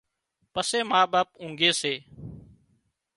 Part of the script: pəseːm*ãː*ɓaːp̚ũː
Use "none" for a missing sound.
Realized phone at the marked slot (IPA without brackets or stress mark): aː